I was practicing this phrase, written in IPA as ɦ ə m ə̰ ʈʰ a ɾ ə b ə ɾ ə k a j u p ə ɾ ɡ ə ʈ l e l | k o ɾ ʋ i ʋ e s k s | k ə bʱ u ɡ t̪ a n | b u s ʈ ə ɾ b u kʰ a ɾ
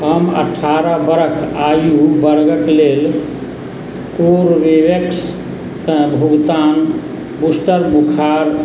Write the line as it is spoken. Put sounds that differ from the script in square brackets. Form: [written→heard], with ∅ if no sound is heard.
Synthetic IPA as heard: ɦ ə m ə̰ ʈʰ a ɾ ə b ə ɾ ə [k→kʰ] a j u [p→b] ə ɾ ɡ ə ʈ l e l | k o ɾ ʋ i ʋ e [s→∅] k s | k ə bʱ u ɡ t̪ a n | b u s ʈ ə ɾ b u kʰ a ɾ